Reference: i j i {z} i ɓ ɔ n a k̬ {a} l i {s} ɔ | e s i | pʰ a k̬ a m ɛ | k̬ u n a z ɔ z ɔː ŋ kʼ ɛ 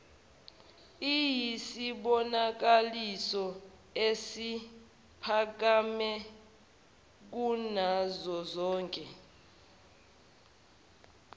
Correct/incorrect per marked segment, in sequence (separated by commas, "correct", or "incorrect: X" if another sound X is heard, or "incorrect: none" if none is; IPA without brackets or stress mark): incorrect: s, correct, correct